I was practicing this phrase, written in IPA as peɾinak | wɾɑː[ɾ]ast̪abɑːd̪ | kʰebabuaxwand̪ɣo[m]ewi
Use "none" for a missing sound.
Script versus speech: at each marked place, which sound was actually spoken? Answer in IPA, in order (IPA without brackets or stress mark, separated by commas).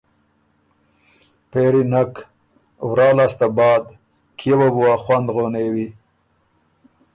l, n